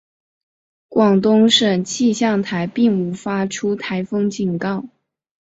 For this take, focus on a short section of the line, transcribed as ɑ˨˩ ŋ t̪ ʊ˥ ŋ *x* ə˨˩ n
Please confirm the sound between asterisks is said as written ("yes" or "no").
no